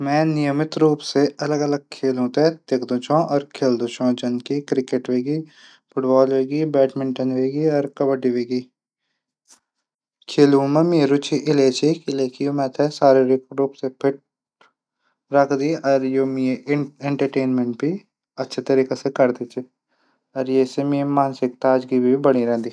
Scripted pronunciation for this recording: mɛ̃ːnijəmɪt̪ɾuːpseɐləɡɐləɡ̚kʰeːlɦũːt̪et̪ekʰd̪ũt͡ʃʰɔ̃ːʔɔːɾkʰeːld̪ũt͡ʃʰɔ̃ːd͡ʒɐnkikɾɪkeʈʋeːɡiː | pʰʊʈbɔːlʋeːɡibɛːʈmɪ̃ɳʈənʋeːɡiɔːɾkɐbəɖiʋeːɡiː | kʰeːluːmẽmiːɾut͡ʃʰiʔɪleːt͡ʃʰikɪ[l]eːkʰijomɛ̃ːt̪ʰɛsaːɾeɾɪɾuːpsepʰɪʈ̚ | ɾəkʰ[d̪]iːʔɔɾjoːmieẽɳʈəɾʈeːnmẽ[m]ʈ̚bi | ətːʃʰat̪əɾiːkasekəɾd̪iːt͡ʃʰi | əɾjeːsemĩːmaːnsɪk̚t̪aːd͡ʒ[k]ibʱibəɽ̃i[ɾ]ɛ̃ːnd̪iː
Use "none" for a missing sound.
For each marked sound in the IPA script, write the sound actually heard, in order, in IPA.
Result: l, d̪, ɳ, ɡ, ɾ

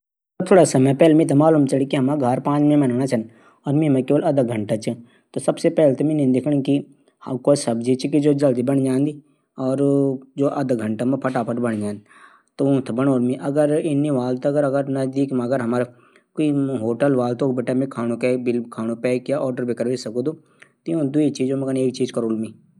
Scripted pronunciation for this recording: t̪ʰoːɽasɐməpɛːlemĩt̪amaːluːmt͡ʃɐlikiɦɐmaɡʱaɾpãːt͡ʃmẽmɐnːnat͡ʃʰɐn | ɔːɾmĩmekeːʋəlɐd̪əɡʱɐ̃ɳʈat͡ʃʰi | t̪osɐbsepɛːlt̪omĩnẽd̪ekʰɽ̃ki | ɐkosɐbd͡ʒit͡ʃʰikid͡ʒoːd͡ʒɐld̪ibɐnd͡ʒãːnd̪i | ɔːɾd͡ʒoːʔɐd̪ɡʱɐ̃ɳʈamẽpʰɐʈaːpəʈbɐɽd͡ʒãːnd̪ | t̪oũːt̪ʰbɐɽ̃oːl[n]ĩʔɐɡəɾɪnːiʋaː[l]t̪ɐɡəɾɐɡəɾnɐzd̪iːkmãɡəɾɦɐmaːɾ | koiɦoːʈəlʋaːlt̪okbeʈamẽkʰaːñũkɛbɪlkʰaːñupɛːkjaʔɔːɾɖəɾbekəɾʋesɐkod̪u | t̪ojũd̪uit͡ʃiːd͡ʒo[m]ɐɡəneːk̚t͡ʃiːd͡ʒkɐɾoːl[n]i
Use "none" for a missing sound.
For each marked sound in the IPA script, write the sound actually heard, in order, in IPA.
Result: m, l, m, m

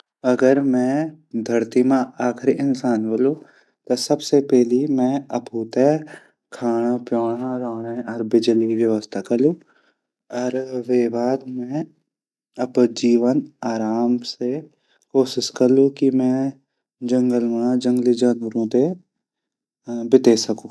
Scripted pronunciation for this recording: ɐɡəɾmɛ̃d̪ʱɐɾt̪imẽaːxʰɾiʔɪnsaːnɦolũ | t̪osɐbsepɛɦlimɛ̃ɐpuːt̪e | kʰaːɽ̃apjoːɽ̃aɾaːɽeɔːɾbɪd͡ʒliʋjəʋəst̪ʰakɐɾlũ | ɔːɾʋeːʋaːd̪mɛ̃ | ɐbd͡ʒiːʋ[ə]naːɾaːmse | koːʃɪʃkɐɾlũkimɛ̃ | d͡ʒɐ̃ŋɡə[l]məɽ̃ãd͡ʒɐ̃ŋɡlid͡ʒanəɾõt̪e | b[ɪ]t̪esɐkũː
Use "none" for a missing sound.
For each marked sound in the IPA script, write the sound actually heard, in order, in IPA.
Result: ə, l, ɪ

